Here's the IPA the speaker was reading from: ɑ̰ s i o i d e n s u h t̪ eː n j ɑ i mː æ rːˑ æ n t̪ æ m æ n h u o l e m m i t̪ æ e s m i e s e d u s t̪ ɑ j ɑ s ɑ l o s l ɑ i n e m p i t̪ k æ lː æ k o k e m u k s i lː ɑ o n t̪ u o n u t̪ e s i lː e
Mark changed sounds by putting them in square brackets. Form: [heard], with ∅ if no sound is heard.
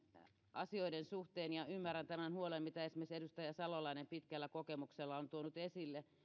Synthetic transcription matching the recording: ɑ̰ s i o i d e n s u h t̪ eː n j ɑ [y] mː æ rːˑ æ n t̪ æ m æ n h u o l e m m i t̪ æ e s m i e s e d u s t̪ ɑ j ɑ s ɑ l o [∅] l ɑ i n e m p i t̪ k æ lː æ k o k e m u k s [e] lː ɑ o n t̪ u o n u t̪ e s i lː e